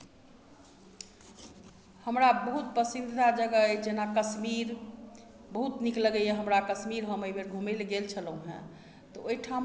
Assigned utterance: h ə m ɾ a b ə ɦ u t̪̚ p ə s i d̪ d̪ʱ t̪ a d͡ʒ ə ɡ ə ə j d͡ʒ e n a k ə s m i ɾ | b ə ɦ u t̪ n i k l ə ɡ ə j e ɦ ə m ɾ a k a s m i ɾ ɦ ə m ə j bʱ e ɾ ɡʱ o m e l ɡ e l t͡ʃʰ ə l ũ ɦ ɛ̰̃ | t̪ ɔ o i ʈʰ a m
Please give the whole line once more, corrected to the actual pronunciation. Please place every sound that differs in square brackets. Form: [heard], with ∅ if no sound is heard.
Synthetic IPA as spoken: h ə m ɾ a b ə ɦ u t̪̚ p ə s i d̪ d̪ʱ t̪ a d͡ʒ ə ɡ ə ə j d͡ʒ e n a k ə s m i ɾ | b ə ɦ u t̪ n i k l ə ɡ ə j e ɦ ə m ɾ a k [ə] s m i ɾ ɦ ə m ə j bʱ e ɾ ɡʱ [u] m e l ɡ e l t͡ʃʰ ə l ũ ɦ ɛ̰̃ | t̪ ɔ o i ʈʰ a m